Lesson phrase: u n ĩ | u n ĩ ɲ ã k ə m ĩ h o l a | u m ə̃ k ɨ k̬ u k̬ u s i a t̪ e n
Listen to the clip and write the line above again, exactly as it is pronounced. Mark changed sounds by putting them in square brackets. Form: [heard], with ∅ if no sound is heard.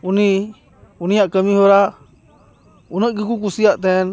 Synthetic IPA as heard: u n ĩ | u n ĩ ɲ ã k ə m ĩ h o [ɾ] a | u [n] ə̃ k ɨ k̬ u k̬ u s i a t̪ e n